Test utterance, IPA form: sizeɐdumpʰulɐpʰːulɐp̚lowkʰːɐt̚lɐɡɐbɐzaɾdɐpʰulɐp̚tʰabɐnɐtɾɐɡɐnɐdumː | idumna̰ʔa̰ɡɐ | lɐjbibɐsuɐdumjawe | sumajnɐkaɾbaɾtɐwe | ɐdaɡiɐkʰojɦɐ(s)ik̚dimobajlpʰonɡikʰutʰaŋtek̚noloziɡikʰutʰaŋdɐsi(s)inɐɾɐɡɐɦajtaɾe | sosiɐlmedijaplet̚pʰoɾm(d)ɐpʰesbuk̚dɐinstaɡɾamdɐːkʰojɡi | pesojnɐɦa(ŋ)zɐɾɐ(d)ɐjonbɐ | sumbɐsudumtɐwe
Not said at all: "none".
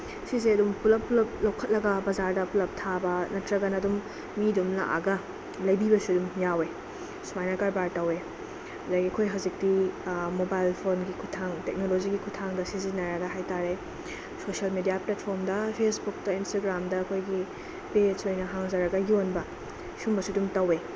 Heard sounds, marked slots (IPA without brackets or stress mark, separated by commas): z, z, d, ŋ, ɡ